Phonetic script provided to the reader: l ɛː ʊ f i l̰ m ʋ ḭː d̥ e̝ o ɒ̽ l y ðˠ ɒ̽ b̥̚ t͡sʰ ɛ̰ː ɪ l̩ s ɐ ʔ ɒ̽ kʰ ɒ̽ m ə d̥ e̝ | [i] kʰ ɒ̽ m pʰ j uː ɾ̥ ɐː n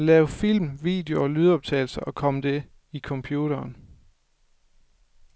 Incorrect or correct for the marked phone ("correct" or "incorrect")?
correct